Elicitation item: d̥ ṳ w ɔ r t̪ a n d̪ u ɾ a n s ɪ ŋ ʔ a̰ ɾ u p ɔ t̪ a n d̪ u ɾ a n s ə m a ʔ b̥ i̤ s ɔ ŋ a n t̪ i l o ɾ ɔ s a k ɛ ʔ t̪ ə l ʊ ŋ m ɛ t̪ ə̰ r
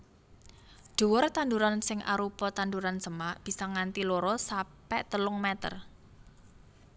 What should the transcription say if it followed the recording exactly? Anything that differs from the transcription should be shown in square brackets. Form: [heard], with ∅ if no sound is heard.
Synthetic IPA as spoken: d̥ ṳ w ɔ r t̪ a n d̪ u ɾ a n s ɪ ŋ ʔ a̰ ɾ u p ɔ t̪ a n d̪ u ɾ a n s ə m a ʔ b̥ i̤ s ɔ ŋ a n t̪ i l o ɾ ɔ s a [p] ɛ ʔ t̪ ə l ʊ ŋ m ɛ t̪ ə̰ r